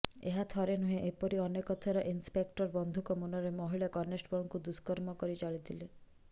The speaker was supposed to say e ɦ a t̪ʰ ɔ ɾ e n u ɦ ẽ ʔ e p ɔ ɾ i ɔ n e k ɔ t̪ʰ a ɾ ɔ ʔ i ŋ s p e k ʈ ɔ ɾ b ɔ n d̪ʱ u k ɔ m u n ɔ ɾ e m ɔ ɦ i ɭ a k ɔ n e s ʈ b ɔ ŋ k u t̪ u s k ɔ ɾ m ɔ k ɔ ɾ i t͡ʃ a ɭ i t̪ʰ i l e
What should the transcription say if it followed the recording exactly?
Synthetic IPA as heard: e ɦ a t̪ʰ ɔ ɾ e n u ɦ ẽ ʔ e p ɔ ɾ i ɔ n e k ɔ t̪ʰ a ɾ ɔ ʔ i n s p e k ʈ ɔ ɾ b ɔ n d̪ʱ u k ɔ m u n ɔ ɾ e m ɔ ɦ i ɭ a k ɔ n e s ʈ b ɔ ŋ k u d̪ u s k ɔ ɾ m ɔ k ɔ ɾ i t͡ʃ a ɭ i t̪ʰ i l e

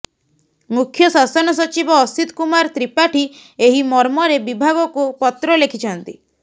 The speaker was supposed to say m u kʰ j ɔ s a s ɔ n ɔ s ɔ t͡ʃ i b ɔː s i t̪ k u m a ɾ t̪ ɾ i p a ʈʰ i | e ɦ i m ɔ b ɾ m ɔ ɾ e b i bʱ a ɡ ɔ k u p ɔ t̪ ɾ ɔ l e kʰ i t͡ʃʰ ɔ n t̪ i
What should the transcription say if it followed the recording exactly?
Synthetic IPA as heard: m u kʰ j ɔ s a s ɔ n ɔ s ɔ t͡ʃ i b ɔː s i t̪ k u m a ɾ t̪ ɾ i p a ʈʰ i | e ɦ i m ɔ ɾ m ɔ ɾ e b i bʱ a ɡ ɔ k u p ɔ t̪ ɾ ɔ l e kʰ i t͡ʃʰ ɔ n t̪ i

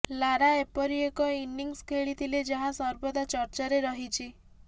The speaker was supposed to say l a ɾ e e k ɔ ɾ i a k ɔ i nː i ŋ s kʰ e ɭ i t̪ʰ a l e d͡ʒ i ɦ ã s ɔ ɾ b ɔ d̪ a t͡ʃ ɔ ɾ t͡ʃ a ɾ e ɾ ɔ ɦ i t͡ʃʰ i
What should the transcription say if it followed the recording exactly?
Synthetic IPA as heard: l a ɾ a e p ɔ ɾ i e k ɔ i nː i ŋ s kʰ e ɭ i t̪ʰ i l e d͡ʒ a ɦ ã s ɔ ɾ b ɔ d̪ a t͡ʃ ɔ ɾ t͡ʃ a ɾ e ɾ ɔ ɦ i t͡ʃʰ i

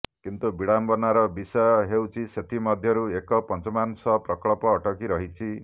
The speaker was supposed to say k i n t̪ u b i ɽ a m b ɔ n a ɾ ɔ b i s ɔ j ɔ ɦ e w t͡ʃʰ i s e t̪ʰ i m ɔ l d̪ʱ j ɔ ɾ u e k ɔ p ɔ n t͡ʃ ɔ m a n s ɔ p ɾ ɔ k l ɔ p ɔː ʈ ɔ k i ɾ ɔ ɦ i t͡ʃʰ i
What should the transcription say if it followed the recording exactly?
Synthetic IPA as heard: k i n t̪ u b i ɽ a m b ɔ n a ɾ ɔ b i s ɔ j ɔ ɦ e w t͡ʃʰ i s e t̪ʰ i m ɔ d̪ʱ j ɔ ɾ u e k ɔ p ɔ n t͡ʃ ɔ m a n s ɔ p ɾ ɔ k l ɔ p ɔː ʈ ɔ k i ɾ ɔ ɦ i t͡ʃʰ i

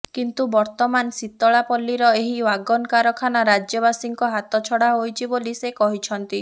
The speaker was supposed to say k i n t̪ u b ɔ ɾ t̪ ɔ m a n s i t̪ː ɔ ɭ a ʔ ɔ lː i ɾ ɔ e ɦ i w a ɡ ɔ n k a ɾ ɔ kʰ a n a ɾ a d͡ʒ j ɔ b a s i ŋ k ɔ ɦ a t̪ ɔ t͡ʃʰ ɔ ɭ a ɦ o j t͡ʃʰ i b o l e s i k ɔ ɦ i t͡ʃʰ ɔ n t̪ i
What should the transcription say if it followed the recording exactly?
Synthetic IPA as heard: k i n t̪ u b ɔ ɾ t̪ ɔ m a n s i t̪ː ɔ ɭ a p ɔ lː i ɾ ɔ e ɦ i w a ɡ ɔ n k a ɾ ɔ kʰ a n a ɾ a d͡ʒ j ɔ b a s i ŋ k ɔ ɦ a t̪ ɔ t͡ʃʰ ɔ ɽ a ɦ o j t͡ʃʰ i b o l i s e k ɔ ɦ i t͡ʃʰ ɔ n t̪ i

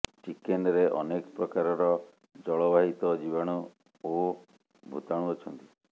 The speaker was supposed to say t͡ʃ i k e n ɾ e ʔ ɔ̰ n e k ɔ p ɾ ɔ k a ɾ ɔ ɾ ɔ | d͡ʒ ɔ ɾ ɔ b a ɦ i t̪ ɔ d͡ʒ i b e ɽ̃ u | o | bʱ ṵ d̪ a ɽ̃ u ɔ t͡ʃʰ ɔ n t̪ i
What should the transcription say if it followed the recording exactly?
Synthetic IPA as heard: t͡ʃ i k e n ɾ e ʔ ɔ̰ n e k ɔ p ɾ ɔ k a ɾ ɔ ɾ ɔ | d͡ʒ ɔ ɭ ɔ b a ɦ i t̪ ɔ d͡ʒ i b a ɽ̃ u | o | bʱ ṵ t̪ a ɽ̃ u ɔ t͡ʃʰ ɔ n t̪ i

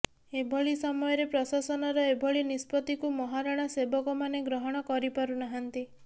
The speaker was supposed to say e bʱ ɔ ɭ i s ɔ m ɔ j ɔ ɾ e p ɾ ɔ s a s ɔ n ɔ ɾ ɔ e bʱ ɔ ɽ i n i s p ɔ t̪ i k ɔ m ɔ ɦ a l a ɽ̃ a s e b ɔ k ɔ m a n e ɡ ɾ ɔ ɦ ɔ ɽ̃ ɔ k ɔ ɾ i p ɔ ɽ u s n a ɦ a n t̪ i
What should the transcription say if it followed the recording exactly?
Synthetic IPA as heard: e bʱ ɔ ɭ i s ɔ m ɔ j ɔ ɾ e p ɾ ɔ s a s ɔ n ɔ ɾ ɔ e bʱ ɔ ɭ i n i s p ɔ t̪ i k u m ɔ ɦ a ɾ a ɽ̃ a s e b ɔ k ɔ m a n e ɡ ɾ ɔ ɦ ɔ ɽ̃ ɔ k ɔ ɾ i p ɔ ɾ u n a ɦ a n t̪ i

